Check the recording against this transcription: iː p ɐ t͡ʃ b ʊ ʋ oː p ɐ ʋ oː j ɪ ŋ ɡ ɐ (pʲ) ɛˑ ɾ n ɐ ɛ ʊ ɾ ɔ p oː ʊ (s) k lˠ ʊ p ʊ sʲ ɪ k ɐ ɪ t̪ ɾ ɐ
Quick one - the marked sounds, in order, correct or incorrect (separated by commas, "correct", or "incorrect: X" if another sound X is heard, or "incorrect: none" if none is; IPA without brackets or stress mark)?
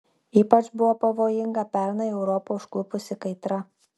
correct, incorrect: ʃ